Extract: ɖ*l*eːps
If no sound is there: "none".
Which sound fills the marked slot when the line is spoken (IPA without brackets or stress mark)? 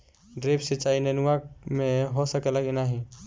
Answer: ɾ